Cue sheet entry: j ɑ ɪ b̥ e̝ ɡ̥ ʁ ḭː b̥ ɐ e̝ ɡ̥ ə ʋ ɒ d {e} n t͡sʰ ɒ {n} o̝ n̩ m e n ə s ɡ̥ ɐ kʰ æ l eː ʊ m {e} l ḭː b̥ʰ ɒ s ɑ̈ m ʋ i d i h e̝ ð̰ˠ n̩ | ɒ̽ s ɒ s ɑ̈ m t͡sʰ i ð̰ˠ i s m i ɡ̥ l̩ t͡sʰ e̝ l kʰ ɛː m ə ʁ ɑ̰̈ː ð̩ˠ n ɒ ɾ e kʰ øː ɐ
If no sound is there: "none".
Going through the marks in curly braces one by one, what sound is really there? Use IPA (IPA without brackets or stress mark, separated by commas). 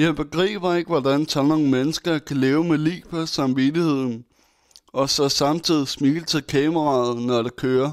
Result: æ, n, e